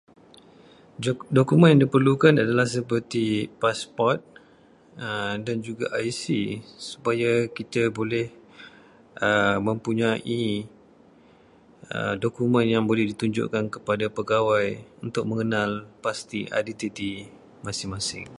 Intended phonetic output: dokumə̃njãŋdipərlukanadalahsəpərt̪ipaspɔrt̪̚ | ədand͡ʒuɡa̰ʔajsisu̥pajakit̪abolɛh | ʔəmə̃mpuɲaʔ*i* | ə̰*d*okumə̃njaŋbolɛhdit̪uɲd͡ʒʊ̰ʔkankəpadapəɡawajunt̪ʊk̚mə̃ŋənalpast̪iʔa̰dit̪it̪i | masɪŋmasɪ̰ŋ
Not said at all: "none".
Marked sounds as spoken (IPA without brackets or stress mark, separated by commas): i, d